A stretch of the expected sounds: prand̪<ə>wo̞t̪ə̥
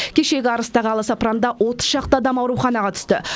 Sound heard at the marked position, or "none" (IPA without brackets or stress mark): ɑ